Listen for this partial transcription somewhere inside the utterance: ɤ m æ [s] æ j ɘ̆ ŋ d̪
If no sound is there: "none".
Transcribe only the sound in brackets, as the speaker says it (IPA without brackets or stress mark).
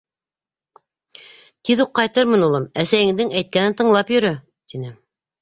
s